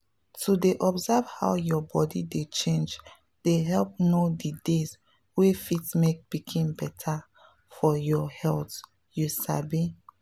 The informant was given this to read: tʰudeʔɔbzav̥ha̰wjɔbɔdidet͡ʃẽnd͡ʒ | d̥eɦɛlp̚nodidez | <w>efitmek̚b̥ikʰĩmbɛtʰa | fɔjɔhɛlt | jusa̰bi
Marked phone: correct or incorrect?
correct